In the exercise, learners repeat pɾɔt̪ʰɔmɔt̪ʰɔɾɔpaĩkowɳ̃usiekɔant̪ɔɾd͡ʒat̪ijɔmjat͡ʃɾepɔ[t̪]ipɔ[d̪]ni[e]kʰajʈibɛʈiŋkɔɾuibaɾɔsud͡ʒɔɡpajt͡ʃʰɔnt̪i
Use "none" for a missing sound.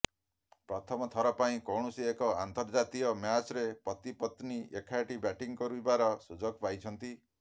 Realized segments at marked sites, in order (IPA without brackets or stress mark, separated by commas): t̪, t̪, e